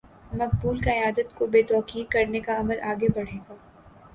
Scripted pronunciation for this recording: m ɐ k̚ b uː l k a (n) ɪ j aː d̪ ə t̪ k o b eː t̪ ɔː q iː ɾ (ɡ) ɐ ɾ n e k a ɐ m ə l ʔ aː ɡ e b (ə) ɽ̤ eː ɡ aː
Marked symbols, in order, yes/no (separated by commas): no, no, no